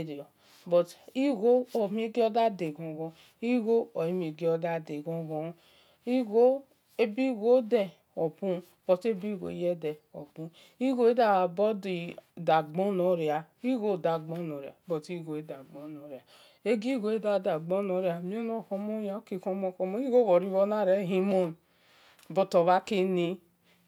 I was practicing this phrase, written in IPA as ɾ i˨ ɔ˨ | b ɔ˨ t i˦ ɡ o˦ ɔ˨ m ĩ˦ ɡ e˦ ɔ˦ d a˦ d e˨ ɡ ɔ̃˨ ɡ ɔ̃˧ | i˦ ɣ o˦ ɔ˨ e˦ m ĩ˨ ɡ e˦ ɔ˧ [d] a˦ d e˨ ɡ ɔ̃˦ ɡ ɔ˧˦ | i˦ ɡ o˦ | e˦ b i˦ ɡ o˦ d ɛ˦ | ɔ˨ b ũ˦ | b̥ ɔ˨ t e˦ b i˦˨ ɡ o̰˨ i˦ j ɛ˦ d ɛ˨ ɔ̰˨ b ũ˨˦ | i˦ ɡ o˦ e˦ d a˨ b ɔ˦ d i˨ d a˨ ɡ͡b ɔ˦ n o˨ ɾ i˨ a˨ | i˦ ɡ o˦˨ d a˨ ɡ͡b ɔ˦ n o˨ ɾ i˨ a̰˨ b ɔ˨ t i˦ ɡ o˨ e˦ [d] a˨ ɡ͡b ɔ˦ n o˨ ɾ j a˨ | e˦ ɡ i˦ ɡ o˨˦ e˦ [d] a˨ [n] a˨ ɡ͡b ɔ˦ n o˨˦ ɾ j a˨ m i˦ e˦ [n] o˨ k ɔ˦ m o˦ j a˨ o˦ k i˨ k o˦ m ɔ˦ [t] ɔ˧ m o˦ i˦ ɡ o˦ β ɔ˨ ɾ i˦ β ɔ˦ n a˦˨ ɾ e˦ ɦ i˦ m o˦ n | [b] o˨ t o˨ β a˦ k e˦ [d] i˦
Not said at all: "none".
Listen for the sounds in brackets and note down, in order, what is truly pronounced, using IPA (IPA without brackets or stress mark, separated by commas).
d, d, d, d, n, k, b, n